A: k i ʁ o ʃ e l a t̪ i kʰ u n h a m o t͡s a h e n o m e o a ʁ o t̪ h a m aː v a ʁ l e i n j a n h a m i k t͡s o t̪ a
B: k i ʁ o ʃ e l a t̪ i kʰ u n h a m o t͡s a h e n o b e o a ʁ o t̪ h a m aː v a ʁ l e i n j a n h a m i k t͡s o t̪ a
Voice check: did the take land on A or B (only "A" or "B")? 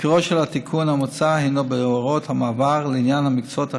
B